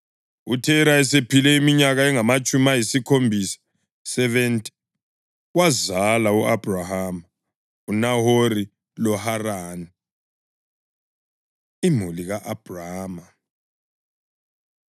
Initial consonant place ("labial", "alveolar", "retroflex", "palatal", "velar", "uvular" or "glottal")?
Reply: alveolar